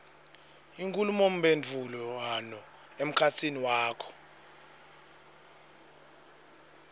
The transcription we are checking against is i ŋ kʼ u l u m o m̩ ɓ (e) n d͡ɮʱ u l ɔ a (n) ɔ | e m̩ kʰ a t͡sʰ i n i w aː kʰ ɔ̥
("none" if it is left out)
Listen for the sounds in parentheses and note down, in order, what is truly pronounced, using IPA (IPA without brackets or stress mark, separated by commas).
e, n